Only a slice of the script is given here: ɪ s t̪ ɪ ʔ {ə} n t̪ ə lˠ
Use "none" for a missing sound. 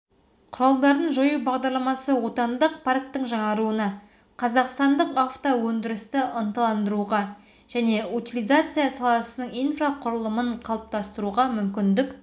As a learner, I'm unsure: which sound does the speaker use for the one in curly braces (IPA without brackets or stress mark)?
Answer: ə